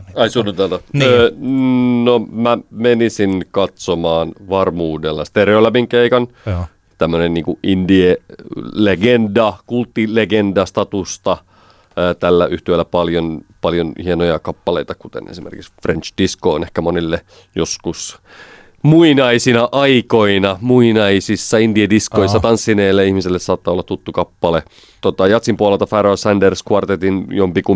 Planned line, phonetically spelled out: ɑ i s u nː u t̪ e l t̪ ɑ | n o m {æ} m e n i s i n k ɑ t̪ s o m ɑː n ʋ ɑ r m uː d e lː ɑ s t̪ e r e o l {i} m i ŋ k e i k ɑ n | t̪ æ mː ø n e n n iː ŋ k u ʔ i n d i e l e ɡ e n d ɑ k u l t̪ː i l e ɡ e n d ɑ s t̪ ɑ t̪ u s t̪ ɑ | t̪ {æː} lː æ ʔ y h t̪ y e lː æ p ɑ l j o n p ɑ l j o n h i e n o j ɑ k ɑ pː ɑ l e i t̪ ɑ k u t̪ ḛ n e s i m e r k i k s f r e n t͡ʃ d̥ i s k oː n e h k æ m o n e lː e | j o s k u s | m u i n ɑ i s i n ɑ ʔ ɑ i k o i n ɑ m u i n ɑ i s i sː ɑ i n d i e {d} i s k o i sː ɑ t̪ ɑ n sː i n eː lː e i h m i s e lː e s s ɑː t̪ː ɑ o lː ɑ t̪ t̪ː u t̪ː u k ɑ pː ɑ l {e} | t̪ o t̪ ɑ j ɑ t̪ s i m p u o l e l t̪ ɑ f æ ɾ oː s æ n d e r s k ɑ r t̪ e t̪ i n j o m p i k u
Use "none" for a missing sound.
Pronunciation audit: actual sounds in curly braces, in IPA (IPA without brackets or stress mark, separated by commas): æ, æ, æ, d, e